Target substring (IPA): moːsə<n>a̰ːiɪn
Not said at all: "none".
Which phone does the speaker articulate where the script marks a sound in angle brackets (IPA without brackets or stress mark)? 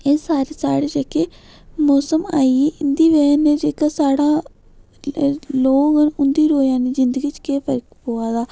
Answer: m